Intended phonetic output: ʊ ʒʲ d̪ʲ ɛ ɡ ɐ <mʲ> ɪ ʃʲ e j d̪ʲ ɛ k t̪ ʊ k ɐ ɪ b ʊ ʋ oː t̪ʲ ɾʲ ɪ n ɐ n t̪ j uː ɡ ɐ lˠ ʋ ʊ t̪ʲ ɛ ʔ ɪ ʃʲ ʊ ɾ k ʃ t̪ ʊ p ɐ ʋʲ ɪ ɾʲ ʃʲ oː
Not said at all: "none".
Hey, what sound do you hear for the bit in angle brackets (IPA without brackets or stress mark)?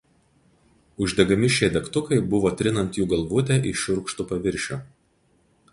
mʲ